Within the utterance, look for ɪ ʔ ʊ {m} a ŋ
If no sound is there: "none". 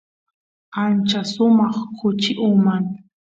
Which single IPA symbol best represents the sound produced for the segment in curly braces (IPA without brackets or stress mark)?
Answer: m